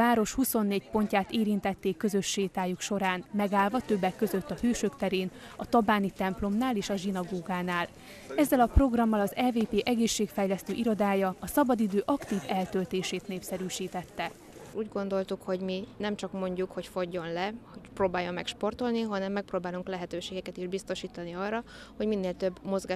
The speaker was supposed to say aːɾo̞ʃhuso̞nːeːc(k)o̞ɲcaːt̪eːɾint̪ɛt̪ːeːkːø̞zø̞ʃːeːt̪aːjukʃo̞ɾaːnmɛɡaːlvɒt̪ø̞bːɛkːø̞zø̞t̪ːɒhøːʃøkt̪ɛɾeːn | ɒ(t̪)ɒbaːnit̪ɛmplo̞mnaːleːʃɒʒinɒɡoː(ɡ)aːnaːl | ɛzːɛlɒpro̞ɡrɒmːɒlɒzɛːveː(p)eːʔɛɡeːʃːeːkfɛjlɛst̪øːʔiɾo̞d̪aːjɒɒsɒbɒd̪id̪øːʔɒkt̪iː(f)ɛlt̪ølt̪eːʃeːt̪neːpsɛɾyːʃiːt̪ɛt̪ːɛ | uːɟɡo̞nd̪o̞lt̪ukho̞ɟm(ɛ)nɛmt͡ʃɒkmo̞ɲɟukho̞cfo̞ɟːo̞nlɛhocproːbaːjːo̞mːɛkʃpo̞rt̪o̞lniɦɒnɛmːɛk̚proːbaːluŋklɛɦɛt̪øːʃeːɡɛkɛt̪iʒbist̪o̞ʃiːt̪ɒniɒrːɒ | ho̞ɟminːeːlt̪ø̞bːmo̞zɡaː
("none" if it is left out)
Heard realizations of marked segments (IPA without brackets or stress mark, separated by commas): p, t̪, ɡ, p, v, i